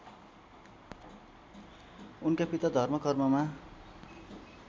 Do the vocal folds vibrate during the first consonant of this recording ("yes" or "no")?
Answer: yes